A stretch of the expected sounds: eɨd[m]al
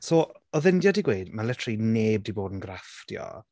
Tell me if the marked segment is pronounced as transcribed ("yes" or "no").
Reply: yes